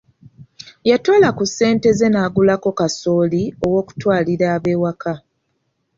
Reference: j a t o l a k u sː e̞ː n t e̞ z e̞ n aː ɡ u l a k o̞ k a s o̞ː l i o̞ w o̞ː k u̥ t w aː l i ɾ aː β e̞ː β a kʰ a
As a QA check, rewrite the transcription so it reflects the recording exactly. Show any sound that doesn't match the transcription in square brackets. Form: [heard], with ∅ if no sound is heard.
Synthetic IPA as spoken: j a t o l a k u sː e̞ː n t e̞ z e̞ n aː ɡ u l a k o̞ k a s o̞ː l i o̞ w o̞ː k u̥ t w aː l i ɾ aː β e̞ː [w] a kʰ a